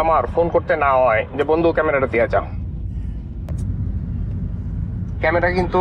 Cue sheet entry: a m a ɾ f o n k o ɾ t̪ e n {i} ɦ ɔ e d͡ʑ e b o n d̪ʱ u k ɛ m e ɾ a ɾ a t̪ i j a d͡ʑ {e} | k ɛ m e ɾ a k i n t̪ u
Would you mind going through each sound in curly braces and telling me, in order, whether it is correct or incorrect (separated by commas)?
incorrect, incorrect